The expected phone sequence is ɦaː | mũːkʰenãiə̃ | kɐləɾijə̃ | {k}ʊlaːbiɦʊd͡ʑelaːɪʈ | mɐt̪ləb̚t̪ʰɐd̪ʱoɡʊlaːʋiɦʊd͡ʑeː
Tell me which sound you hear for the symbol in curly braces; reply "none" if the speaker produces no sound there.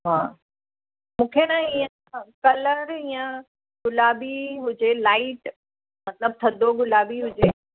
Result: ɡ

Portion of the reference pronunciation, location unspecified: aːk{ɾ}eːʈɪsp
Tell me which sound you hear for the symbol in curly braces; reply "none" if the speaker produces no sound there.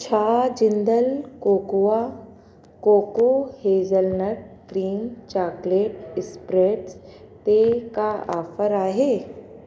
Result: l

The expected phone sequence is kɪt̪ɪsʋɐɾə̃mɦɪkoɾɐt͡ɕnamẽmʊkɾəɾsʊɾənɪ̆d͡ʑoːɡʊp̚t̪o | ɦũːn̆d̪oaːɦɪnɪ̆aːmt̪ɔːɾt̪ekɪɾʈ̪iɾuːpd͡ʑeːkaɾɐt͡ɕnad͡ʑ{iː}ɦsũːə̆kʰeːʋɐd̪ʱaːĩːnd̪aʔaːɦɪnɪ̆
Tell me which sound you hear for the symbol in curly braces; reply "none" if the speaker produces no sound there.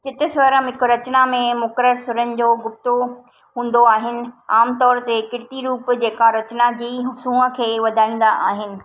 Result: iː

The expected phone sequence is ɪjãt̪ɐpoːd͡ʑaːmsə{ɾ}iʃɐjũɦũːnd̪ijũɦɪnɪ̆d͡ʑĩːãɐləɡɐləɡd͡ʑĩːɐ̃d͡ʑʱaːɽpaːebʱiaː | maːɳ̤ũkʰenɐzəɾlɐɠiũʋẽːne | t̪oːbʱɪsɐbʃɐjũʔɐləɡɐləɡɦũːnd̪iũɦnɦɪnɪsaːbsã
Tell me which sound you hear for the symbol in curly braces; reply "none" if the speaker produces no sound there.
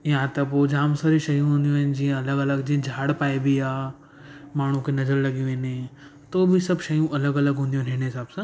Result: ɾ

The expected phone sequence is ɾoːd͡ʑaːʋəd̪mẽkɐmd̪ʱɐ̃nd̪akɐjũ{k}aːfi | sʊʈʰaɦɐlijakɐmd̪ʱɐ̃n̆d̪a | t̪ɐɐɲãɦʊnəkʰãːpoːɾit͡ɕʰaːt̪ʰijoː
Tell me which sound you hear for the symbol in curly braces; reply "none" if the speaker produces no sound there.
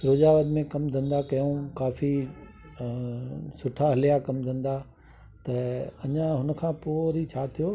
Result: k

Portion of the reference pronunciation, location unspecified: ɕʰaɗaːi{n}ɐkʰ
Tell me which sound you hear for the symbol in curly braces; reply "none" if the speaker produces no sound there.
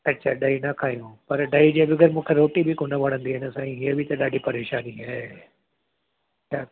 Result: n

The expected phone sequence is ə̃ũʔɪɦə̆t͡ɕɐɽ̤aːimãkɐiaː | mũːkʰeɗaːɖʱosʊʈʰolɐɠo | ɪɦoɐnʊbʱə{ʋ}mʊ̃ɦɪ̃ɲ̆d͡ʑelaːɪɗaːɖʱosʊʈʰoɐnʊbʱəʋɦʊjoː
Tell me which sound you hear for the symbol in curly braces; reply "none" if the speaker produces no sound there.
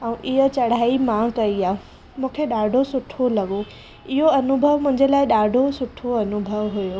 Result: ʋ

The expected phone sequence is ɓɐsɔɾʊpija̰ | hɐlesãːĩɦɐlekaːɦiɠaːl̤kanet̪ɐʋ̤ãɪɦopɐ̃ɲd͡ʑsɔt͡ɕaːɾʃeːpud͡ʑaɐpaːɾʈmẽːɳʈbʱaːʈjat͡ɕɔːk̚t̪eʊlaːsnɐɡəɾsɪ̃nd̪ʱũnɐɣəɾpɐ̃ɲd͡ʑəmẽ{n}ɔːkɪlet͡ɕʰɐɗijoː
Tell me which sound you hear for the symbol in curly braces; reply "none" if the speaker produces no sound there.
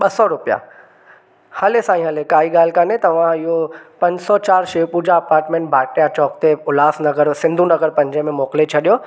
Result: m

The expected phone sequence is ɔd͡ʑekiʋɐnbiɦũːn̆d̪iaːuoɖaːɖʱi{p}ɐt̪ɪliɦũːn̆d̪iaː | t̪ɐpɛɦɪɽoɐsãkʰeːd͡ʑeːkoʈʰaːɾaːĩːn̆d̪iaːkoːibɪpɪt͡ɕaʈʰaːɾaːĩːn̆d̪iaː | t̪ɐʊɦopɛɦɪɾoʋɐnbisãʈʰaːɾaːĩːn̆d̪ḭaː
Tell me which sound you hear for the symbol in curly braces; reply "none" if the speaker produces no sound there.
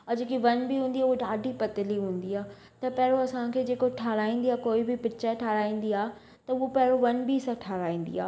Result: p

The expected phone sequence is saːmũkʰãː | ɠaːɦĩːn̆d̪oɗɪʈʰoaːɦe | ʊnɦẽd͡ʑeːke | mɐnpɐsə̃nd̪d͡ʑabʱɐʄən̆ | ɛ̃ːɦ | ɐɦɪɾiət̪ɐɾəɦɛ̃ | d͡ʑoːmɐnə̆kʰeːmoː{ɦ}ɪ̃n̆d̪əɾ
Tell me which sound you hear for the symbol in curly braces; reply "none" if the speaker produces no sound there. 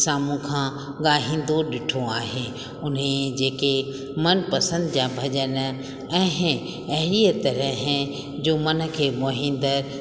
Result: ɦ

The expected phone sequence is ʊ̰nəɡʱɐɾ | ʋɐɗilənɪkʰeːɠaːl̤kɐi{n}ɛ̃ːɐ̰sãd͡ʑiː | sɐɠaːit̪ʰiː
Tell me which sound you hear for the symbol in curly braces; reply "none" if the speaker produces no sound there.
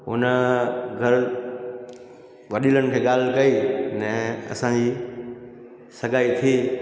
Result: n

